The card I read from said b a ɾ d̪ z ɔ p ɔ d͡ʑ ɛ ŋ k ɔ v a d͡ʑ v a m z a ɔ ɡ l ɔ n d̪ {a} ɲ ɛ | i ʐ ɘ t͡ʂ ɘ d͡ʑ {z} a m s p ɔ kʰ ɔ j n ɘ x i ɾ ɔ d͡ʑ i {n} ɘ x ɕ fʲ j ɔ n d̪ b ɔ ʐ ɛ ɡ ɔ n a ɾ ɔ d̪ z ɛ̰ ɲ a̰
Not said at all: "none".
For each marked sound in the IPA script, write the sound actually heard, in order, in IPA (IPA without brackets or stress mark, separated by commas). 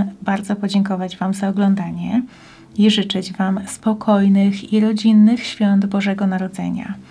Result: a, v, nː